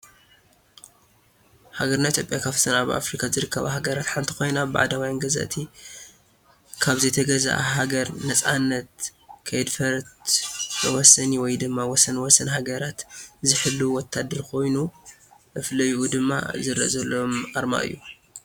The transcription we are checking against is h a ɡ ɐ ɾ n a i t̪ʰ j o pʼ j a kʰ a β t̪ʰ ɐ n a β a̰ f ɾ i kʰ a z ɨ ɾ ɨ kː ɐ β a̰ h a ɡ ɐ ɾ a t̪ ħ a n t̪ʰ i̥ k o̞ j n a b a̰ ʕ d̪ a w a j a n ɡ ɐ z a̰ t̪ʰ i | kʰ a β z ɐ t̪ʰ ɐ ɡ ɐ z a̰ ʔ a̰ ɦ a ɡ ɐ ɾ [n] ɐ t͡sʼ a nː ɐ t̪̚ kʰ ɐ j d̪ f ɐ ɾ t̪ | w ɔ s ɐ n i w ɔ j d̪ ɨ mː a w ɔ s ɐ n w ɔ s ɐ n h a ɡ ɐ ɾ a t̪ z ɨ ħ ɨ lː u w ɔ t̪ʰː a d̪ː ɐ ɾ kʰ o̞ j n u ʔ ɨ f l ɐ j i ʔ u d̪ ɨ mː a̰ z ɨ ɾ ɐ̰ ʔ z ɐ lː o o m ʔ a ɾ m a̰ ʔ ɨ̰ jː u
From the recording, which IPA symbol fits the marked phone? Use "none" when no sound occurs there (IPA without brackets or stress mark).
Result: n